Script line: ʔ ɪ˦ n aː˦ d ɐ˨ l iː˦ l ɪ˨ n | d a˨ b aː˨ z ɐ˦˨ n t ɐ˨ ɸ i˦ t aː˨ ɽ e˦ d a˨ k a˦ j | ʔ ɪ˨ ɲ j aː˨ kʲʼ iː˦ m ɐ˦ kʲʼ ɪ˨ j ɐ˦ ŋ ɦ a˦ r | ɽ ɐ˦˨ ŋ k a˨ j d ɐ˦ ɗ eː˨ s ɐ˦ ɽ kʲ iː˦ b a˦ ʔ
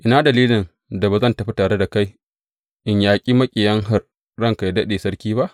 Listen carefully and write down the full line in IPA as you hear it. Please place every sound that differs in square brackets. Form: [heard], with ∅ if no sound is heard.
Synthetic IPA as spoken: ʔ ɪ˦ n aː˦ d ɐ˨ l iː˦ l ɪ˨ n | d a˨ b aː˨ z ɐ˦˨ n t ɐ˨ ɸ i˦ t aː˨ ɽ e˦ d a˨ k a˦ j | ʔ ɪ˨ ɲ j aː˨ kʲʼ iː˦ m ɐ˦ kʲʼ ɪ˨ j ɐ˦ ŋ ɦ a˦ r | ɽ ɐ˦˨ ŋ k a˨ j d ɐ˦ ɗ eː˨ s ɐ˦ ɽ kʲ iː˦ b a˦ ʔ